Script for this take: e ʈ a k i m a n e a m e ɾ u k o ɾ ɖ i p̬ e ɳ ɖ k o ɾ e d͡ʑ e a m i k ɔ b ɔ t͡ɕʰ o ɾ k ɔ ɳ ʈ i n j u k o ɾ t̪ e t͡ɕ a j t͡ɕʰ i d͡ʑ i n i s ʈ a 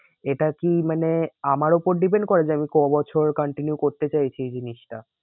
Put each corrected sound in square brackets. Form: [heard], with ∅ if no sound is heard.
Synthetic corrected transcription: e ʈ a k i m a n e a m [a] ɾ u [p] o ɾ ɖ i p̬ e ɳ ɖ k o ɾ e d͡ʑ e a m i k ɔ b ɔ t͡ɕʰ o ɾ k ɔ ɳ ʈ i n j u k o ɾ t̪ e t͡ɕ a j t͡ɕʰ i d͡ʑ i n i [ʃ] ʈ a